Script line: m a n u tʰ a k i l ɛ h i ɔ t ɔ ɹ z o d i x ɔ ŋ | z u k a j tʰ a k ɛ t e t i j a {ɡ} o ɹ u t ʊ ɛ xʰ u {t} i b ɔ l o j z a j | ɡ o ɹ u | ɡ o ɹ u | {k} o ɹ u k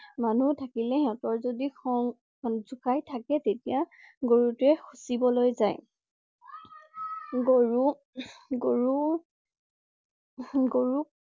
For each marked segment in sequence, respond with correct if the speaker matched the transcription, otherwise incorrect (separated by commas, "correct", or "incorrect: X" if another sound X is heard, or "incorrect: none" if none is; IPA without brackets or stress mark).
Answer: correct, incorrect: s, incorrect: ɡ